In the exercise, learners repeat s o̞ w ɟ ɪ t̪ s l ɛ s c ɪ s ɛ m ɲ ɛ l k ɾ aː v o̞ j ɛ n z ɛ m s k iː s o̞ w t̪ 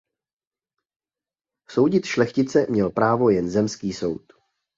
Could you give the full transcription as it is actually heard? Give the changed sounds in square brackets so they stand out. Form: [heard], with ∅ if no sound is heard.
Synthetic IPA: s o̞ w ɟ ɪ t̪ [ʃ] l ɛ [x] c ɪ [t͡s] ɛ m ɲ ɛ l [p] ɾ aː v o̞ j ɛ n z ɛ m s k iː s o̞ w t̪